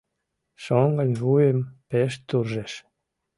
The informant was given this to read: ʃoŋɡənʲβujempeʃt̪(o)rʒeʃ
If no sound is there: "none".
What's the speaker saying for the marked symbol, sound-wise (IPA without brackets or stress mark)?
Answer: u